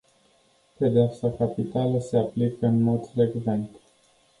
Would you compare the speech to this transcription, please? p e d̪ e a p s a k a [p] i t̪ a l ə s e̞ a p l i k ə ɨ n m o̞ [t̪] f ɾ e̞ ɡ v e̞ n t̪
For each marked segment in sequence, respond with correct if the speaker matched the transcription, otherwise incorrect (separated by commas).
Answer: correct, incorrect